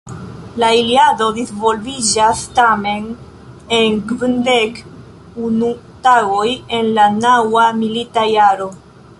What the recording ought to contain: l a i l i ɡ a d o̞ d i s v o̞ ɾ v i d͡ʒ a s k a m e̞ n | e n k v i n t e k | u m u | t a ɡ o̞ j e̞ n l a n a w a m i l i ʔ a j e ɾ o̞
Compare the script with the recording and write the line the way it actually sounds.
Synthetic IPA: l a i l i a d o̞ d i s v o̞ l v i d͡ʒ a s t a m e̞ n | e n k v i n d e k | u n u | t a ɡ o̞ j e̞ n l a n a w a m i l i t a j a ɾ o̞